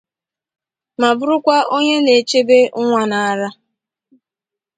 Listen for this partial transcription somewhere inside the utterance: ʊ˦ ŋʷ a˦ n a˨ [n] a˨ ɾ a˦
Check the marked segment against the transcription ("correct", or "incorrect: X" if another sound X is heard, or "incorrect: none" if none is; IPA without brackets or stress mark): incorrect: none